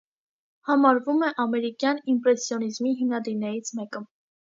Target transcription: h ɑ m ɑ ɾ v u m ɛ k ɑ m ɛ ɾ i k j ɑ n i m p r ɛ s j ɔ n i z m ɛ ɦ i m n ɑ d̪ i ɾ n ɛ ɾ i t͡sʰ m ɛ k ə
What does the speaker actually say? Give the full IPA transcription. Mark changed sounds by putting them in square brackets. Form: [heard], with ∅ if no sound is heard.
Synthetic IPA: h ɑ m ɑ ɾ v u m ɛ [ʔ] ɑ m ɛ ɾ i k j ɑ n i m p [ɾ] ɛ s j ɔ n i z m [i] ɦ i m n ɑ d̪ i ɾ n ɛ ɾ i t͡sʰ m ɛ k ə